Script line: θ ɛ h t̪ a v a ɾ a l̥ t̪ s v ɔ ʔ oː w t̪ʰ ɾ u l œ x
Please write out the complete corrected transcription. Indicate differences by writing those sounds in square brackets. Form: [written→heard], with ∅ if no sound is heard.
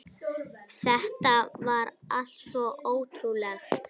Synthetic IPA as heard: θ ɛ h t̪ a v a ɾ a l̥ t̪ s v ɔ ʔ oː w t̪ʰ ɾ u l [œ→ɛ] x